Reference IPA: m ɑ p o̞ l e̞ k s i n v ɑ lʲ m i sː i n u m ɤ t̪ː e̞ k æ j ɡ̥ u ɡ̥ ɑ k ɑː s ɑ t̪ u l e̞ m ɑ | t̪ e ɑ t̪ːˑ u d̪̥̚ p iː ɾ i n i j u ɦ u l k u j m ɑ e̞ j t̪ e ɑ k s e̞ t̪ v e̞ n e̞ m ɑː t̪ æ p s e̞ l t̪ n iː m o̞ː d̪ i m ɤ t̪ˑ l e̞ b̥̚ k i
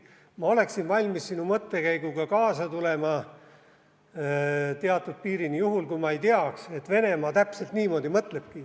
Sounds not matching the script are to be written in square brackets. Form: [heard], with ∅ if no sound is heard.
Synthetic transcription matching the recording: m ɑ [∅] o̞ l e̞ k s i n v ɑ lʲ m i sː i n u m ɤ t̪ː e̞ k æ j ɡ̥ u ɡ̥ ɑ k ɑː s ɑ t̪ u l e̞ m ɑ | t̪ e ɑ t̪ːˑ u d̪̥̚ p iː ɾ i n i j u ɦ u l k u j m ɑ e̞ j t̪ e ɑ k s e̞ t̪ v e̞ n e̞ m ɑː t̪ æ p s e̞ l t̪ n iː m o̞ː d̪ i m ɤ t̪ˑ l e̞ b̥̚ k i